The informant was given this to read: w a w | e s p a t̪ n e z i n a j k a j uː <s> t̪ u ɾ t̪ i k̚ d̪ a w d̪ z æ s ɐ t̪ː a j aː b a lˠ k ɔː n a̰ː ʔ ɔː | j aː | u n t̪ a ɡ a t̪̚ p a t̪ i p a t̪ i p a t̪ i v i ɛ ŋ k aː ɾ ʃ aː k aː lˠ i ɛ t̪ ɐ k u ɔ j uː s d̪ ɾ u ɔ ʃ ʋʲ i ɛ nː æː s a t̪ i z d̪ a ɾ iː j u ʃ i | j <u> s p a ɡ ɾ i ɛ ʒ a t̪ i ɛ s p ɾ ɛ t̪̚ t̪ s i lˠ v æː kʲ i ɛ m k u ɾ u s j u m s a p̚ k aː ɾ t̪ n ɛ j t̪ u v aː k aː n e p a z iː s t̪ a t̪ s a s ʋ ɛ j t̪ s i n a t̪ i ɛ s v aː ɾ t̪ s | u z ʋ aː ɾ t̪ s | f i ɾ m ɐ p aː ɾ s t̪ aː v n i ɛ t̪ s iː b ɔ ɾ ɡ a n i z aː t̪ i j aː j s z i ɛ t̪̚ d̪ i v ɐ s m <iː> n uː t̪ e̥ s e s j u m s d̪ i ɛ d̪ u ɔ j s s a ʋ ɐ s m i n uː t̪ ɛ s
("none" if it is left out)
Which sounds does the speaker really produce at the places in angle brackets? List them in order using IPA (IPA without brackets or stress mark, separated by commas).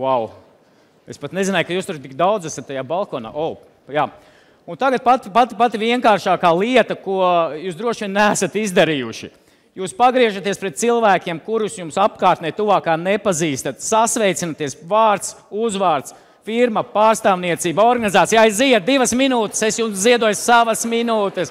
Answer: s, uː, i